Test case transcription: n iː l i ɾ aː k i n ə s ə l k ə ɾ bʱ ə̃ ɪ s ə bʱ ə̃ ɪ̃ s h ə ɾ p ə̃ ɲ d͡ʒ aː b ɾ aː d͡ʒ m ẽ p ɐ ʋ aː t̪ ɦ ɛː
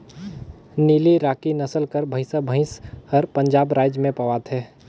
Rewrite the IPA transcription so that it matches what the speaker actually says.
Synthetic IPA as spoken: n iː l i ɾ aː k i n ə s ə l k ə ɾ bʱ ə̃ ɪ s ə bʱ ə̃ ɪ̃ s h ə ɾ p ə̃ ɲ d͡ʒ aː b ɾ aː d͡ʒ m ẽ p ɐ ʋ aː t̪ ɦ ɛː